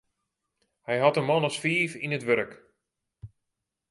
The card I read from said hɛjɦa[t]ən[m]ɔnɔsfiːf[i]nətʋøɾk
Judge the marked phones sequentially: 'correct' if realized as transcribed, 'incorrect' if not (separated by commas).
correct, correct, correct